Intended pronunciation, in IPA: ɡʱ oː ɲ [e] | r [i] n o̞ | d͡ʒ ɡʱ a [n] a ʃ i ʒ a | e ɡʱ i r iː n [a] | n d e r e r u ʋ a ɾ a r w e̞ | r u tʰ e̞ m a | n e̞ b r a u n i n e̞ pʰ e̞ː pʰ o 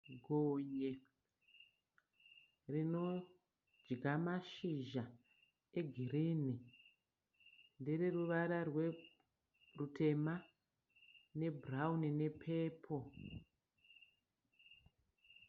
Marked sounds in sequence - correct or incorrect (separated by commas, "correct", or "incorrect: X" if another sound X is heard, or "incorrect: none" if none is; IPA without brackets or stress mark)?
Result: correct, correct, incorrect: m, incorrect: i